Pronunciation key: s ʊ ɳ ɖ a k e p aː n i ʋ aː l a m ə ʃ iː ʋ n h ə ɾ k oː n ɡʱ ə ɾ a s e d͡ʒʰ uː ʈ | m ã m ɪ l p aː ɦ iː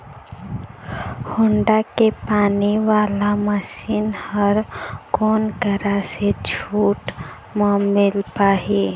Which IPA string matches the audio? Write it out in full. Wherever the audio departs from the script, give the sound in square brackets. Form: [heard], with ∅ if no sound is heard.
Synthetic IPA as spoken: [h] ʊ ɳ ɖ a k e p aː n i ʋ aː l a m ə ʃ iː [∅] n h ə ɾ k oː n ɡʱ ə ɾ a s e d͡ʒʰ uː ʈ | m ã m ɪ l p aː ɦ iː